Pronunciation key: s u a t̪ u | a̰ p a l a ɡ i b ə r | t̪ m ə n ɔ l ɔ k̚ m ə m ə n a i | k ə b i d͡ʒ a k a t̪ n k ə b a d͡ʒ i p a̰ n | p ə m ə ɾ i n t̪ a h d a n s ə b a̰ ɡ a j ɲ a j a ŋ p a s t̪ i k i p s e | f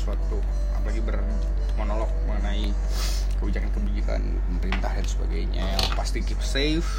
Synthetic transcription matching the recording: s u a t̪ u | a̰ p a l a ɡ i b ə r | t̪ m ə n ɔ l ɔ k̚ m ə ŋ ə n a i | k ə b i d͡ʒ a k a n k ə b i d͡ʒ i k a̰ n | p ə m ə ɾ i n t̪ a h d a n s ə b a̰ ɡ a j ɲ a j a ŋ p a s t̪ i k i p s e | f